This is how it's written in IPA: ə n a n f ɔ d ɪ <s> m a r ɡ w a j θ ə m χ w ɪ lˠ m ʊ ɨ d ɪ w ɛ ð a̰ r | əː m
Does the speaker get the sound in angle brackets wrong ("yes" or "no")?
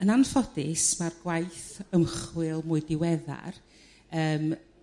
no